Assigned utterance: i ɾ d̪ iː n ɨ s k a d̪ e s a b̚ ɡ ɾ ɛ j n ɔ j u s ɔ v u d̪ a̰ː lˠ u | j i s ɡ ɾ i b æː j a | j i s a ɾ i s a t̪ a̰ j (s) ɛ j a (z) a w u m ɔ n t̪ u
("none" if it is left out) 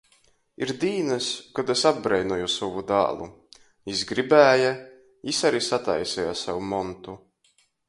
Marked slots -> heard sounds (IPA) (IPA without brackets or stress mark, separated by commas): s, s